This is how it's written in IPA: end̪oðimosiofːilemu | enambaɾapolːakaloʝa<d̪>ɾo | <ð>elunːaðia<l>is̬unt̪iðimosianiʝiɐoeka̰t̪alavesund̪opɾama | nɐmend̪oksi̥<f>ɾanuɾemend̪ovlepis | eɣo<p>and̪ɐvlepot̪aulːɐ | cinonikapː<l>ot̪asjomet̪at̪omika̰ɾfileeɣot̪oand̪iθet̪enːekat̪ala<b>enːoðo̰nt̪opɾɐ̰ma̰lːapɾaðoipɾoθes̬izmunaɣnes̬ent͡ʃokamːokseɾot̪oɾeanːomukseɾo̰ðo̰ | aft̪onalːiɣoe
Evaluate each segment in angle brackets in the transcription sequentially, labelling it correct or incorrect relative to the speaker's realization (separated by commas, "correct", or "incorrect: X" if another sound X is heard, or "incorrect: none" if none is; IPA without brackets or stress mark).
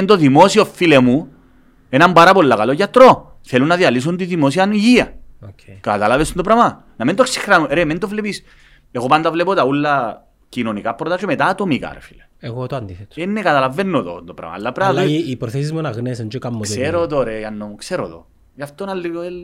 incorrect: t̪, incorrect: θ, correct, incorrect: x, correct, incorrect: ɾ, incorrect: v